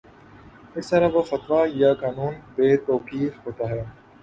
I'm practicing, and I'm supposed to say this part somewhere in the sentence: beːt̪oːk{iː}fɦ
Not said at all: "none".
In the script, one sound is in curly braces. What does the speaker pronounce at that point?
iː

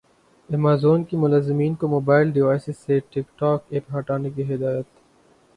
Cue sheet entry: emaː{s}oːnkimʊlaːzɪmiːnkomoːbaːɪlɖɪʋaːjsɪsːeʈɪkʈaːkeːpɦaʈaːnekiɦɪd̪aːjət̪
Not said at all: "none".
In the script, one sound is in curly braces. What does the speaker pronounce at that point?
z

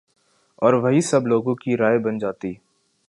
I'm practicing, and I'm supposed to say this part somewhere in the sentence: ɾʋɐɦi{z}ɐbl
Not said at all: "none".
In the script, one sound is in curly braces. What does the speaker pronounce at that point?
s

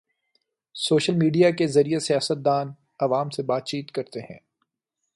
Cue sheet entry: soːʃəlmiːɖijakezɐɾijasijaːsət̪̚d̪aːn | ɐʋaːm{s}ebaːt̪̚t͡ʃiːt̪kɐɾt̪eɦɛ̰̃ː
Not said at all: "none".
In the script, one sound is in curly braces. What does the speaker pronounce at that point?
s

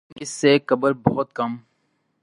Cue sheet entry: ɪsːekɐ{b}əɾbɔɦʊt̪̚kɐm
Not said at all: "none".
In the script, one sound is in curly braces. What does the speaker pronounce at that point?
b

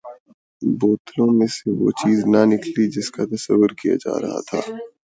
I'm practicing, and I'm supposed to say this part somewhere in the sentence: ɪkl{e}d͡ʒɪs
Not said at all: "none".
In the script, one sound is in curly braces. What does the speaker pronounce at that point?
i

